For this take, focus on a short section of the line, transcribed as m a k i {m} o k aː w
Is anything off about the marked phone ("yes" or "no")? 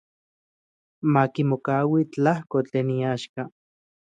no